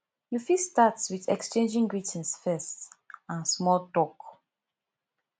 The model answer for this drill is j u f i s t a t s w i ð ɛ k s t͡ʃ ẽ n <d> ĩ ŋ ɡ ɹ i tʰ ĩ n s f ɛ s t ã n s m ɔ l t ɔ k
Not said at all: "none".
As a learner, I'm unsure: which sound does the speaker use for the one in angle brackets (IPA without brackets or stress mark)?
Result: d͡ʒ